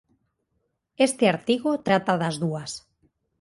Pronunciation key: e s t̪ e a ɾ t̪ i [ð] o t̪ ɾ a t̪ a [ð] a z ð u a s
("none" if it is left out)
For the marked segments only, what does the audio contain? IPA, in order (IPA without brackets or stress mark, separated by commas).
ɣ, ð